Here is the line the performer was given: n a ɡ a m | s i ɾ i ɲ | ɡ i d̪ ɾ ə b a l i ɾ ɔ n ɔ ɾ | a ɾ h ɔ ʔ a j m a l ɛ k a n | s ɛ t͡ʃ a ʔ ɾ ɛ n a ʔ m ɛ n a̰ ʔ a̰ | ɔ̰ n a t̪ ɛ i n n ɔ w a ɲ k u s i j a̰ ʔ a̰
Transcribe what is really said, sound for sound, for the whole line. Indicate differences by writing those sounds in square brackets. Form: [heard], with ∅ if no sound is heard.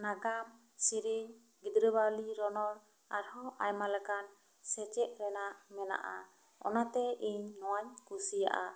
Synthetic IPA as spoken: n a ɡ a m | s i ɾ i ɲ | ɡ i d̪ ɾ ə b a l i ɾ ɔ n ɔ ɾ | a ɾ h ɔ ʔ a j m a l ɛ k a n | s ɛ t͡ʃ [ɛ] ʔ ɾ ɛ n a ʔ m ɛ n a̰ ʔ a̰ | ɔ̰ n a t̪ ɛ i [ɲ] n ɔ w a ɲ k u s i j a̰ ʔ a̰